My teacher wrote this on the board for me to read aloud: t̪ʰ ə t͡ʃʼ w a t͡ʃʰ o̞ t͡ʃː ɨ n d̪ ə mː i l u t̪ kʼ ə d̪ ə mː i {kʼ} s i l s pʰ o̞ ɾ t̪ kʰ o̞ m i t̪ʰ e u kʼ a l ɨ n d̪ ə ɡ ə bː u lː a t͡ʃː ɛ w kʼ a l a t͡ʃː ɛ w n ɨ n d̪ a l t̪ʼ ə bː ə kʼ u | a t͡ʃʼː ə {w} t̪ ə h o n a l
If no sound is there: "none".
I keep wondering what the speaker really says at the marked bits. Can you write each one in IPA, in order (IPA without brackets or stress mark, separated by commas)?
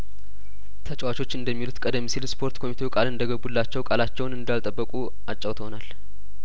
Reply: none, w